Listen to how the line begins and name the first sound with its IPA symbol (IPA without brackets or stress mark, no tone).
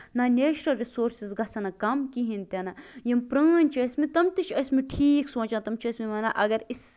n